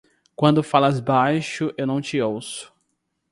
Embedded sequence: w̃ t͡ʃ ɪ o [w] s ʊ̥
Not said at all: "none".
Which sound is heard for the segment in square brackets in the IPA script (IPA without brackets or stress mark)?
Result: w